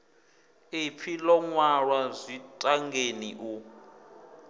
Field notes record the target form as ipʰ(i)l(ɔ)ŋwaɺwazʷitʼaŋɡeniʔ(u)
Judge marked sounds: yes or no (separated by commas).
yes, yes, yes